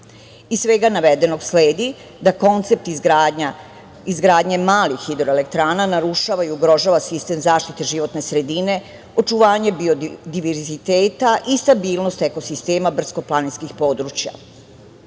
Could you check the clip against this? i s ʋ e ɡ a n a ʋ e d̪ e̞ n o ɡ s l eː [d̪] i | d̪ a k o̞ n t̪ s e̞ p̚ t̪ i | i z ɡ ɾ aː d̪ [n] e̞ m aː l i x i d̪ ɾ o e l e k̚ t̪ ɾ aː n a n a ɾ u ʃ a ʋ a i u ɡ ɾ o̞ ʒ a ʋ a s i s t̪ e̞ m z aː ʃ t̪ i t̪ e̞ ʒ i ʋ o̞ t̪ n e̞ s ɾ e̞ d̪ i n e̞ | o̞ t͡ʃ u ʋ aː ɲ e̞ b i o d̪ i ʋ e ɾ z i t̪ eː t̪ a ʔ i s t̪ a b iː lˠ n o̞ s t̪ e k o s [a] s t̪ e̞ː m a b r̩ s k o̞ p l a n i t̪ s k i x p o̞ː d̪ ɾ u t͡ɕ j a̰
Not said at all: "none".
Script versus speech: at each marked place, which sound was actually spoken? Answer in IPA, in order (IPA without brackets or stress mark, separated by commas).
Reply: d̪, ɲ, i